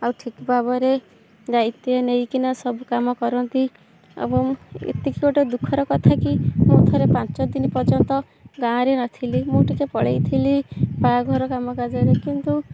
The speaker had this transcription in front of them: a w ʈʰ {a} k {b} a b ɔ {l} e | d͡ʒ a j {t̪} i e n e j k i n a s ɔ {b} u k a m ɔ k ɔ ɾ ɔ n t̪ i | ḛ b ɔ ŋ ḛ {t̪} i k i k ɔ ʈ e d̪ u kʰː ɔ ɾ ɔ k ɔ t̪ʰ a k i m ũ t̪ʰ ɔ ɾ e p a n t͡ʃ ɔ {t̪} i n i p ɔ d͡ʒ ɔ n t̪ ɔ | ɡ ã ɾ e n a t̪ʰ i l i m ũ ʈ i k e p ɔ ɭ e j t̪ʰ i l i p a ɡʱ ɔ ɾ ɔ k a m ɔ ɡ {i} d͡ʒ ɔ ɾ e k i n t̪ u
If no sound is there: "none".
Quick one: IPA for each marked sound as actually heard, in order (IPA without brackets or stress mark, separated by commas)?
i, b, ɾ, t̪, b, t̪, d̪, a